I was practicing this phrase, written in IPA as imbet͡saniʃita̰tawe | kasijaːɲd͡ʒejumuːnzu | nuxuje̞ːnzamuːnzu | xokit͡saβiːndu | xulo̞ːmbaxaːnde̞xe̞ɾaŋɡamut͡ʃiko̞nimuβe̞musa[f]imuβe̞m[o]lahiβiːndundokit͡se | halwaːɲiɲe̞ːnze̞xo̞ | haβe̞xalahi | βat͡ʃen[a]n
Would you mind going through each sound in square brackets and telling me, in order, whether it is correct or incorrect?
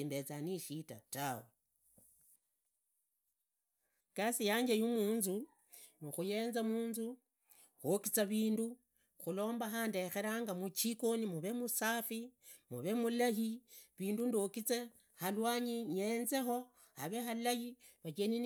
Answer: correct, incorrect, incorrect

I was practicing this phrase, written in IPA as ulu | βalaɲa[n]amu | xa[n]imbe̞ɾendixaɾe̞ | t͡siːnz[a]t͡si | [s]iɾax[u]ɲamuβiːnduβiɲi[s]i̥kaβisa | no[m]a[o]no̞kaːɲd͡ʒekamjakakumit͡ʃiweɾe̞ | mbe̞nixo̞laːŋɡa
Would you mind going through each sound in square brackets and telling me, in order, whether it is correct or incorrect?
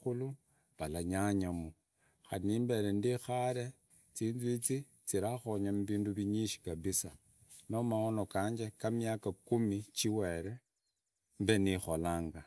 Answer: incorrect, correct, incorrect, incorrect, incorrect, incorrect, correct, correct

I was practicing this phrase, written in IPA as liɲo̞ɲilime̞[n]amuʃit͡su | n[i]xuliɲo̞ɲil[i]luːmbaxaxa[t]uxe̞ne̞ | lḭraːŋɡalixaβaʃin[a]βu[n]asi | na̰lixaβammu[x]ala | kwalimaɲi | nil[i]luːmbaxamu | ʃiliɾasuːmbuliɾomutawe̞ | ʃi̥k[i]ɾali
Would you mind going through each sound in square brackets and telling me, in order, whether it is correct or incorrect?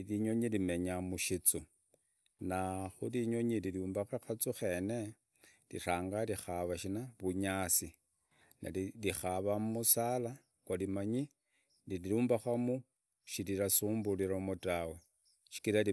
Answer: incorrect, incorrect, correct, incorrect, correct, incorrect, incorrect, correct, correct

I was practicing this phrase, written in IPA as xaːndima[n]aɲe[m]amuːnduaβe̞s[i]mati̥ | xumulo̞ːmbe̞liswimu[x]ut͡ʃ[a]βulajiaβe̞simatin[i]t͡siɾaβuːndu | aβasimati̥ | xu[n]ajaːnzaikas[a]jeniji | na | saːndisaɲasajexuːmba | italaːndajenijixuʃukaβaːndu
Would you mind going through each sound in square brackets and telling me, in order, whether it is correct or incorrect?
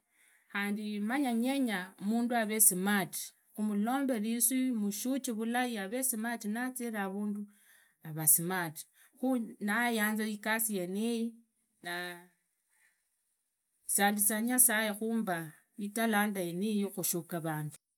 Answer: incorrect, incorrect, correct, incorrect, incorrect, incorrect, correct, incorrect

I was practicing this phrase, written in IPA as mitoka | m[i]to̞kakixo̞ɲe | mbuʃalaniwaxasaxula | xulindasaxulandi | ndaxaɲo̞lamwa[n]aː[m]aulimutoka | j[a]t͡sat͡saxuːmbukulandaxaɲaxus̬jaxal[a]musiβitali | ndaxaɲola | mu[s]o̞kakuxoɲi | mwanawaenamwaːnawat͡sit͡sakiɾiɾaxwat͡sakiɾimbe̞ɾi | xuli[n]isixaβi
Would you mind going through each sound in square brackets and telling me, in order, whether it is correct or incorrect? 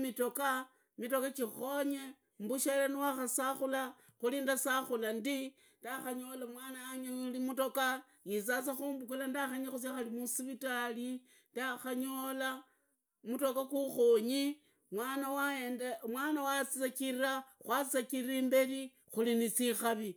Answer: correct, correct, incorrect, incorrect, incorrect, incorrect, correct

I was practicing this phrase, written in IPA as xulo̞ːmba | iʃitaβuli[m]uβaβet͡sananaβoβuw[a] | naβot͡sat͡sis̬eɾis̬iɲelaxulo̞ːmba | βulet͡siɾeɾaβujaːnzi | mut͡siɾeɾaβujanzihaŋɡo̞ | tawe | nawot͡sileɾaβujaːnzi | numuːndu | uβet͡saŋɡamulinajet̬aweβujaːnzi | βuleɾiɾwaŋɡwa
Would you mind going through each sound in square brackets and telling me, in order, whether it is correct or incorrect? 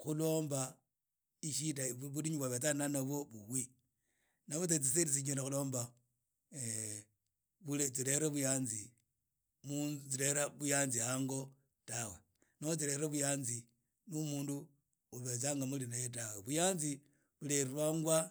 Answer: incorrect, incorrect

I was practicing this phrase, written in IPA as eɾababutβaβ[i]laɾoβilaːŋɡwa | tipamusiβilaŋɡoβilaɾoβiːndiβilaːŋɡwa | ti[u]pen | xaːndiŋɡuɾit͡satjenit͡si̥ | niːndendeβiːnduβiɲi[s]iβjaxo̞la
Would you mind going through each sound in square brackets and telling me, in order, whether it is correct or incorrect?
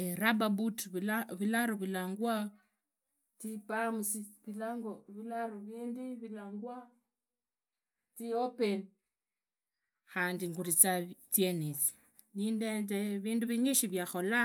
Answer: correct, incorrect, incorrect

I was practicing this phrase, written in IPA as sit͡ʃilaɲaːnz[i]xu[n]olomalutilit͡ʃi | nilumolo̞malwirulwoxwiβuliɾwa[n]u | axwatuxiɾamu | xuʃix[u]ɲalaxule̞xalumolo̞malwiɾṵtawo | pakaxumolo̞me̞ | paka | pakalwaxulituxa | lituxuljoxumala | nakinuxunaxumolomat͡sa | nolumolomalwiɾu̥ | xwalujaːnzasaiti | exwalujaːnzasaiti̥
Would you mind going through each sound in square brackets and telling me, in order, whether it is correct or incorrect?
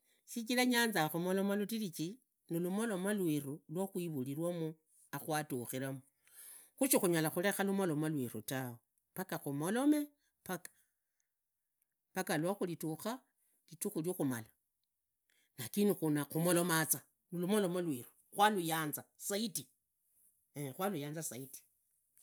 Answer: incorrect, incorrect, incorrect, correct

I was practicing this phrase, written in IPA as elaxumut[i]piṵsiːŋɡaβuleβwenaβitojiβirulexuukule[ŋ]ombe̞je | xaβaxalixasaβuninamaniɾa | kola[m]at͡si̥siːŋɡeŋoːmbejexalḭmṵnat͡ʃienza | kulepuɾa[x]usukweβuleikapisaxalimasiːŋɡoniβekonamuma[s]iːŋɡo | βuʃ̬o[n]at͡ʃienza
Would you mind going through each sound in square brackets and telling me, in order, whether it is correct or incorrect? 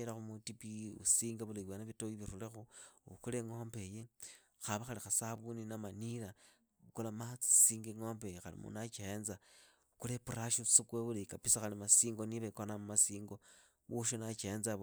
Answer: correct, correct, correct, incorrect, correct, correct

